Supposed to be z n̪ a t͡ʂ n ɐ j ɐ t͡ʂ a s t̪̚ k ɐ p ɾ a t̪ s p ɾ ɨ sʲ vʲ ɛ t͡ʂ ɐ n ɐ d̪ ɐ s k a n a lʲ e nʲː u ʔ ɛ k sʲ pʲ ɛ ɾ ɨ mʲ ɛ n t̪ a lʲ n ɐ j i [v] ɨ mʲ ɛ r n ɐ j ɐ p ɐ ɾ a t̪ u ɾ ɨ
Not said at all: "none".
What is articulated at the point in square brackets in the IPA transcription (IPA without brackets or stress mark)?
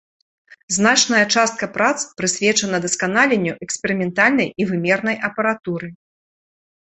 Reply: v